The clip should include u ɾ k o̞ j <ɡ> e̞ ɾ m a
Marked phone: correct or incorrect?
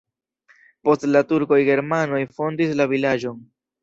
correct